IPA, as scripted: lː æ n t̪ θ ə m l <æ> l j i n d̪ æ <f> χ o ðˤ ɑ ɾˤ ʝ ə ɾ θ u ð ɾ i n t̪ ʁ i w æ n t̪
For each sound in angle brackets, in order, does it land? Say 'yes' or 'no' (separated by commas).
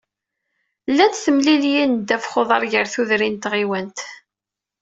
no, yes